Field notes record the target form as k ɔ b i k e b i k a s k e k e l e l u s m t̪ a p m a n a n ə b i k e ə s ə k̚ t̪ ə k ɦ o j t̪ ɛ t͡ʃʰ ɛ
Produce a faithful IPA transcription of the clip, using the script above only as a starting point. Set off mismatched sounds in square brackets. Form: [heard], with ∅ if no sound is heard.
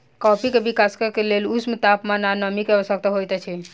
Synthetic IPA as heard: k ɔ [p] i k e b i k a s k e k e l e l u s m t̪ a p m a n a n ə [m] i k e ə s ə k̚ t̪ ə [∅] ɦ o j t̪ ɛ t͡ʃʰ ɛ